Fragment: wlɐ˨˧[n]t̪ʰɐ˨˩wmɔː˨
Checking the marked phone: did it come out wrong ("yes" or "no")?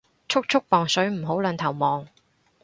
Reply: no